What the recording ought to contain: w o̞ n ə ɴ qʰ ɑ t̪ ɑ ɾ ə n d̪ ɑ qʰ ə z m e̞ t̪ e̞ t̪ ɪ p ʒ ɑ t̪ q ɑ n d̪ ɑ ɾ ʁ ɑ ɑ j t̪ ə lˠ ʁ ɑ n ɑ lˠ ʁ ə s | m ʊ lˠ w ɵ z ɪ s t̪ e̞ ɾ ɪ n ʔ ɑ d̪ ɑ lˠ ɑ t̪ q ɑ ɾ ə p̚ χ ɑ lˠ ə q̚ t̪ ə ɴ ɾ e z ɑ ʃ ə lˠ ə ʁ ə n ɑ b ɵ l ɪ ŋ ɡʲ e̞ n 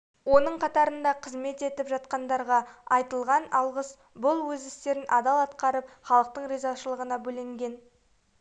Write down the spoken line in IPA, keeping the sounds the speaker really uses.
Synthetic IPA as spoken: w o̞ n ə ɴ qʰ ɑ t̪ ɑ ɾ ə n d̪ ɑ qʰ ə z m e̞ t̪ e̞ t̪ ɪ p ʒ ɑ t̪ q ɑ n d̪ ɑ ɾ ʁ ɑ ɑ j t̪ ə lˠ ʁ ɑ n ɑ lˠ ʁ ə s | b ʊ lˠ w ɵ z ɪ s t̪ e̞ ɾ ɪ n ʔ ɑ d̪ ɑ lˠ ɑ t̪ q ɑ ɾ ə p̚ χ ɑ lˠ ə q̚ t̪ ə ɴ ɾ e z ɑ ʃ ə lˠ ə ʁ ə n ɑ b ɵ l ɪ ŋ ɡʲ e̞ n

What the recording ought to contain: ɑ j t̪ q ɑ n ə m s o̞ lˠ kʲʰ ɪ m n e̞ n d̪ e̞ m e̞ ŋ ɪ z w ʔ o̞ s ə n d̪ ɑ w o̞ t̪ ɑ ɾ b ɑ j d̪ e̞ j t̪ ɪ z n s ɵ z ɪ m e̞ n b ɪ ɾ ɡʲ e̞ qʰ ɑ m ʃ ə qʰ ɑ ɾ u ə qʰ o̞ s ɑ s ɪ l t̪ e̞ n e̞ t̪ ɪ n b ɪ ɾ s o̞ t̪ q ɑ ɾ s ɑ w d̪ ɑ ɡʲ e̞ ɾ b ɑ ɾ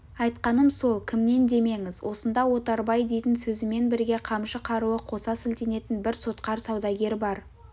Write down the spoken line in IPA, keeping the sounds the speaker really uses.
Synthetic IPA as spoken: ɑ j t̪ q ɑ n ə m s o̞ lˠ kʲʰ ɪ m n e̞ n d̪ e̞ m e̞ ŋ ɪ z w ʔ o̞ s ə n d̪ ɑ w o̞ t̪ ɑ ɾ b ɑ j d̪ e̞ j t̪ ɪ n s ɵ z ɪ m e̞ n b ɪ ɾ ɡʲ e̞ qʰ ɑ m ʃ ə qʰ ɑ ɾ u ə qʰ o̞ s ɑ s ɪ l t̪ e̞ n e̞ t̪ ɪ n b ɪ ɾ s o̞ t̪ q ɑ ɾ s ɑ w d̪ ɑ ɡʲ e̞ ɾ b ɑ ɾ

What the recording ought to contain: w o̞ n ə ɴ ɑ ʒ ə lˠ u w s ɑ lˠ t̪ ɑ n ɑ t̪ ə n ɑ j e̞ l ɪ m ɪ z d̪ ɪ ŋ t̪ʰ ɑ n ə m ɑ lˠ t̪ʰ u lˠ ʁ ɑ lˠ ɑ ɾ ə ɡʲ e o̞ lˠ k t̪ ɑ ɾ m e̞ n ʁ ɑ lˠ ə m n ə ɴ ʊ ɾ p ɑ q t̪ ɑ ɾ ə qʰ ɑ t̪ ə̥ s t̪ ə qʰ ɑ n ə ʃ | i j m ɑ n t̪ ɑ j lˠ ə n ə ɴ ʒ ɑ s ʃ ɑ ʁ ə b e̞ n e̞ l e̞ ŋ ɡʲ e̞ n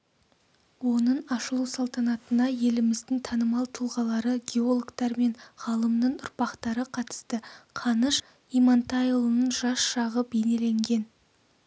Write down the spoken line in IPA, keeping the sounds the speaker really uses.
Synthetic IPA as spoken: w o̞ n ə ɴ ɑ ʃ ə lˠ u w s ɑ lˠ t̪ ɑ n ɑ t̪ ə n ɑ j e̞ l ɪ m ɪ z d̪ ɪ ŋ t̪ʰ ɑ n ə m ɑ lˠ t̪ʰ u lˠ ʁ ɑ lˠ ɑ ɾ ə ɡʲ e o̞ lˠ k t̪ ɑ ɾ m e̞ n ʁ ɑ lˠ ə m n ə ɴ ʊ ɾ p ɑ q t̪ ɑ ɾ ə qʰ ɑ t̪ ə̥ s t̪ ə qʰ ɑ n ə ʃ | i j m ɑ n t̪ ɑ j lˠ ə n ə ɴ ʒ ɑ s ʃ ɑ ʁ ə b e̞ n e̞ l e̞ ŋ ɡʲ e̞ n

